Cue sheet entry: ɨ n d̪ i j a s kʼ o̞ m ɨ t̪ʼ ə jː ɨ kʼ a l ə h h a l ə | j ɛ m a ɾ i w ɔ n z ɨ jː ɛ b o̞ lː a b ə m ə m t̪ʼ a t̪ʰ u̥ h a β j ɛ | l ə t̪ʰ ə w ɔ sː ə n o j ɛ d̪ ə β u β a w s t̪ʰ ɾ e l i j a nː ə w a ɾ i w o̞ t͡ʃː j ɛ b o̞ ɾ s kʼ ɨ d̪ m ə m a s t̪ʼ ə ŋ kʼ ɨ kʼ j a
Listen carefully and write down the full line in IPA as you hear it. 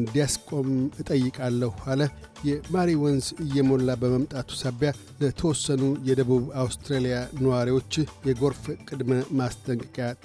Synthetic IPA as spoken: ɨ n d̪ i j a s kʼ o̞ m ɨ t̪ʼ ə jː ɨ kʼ a lː ə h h a l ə | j ɛ m a ɾ i w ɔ n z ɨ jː ɛ m o̞ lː a b ə m ə m t̪ʼ a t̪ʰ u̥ s a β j a | l ə t̪ʰ ə w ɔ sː ə n u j ɛ d̪ ə β u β a w s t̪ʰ ɾ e l i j a n ə w a ɾ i w o̞ t͡ʃː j ɛ ɡ o̞ ɾ f kʼ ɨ d̪ m ə m a s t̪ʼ ə ŋ kʼ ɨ kʼ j a